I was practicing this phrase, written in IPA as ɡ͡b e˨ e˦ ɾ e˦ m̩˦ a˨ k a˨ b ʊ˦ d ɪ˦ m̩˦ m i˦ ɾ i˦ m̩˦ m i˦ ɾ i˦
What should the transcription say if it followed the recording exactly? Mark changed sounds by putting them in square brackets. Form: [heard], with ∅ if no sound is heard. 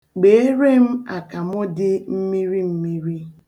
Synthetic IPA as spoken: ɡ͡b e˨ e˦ ɾ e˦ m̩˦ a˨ k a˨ [m] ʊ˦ d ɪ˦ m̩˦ m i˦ ɾ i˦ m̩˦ m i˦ ɾ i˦